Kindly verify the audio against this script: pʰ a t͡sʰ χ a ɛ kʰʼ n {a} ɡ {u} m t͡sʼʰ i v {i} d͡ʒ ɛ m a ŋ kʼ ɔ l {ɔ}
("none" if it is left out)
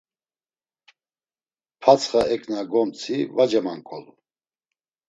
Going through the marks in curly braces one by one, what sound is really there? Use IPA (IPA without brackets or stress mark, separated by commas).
a, ɔ, a, u